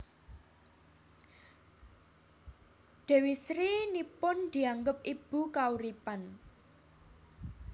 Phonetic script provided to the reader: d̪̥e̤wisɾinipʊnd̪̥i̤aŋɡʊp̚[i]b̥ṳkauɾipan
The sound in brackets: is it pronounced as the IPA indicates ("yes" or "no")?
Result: yes